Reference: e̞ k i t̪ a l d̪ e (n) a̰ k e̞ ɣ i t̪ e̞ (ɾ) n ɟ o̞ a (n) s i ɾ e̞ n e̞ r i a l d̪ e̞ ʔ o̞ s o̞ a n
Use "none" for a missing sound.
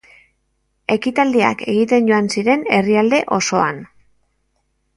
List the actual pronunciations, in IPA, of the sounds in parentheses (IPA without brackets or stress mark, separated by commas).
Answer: none, none, n